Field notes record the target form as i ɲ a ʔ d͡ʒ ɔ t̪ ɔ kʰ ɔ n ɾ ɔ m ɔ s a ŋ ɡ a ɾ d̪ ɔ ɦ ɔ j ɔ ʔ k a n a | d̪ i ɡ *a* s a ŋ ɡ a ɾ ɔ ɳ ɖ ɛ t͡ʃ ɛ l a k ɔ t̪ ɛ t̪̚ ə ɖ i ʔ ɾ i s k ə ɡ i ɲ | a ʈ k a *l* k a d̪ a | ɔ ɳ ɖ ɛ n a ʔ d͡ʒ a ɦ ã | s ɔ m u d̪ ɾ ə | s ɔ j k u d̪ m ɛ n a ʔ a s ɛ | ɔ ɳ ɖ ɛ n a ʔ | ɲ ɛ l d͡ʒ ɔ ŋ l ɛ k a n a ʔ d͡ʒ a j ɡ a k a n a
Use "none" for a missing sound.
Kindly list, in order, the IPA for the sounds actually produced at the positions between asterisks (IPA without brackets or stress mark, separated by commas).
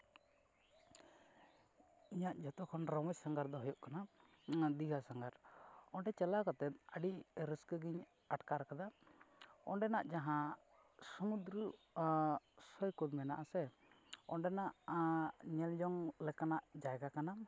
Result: a, ɾ